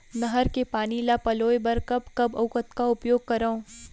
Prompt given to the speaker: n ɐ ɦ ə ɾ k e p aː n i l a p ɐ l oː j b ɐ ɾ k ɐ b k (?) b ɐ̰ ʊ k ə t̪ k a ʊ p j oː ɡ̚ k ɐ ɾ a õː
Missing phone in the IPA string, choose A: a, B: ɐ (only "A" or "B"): B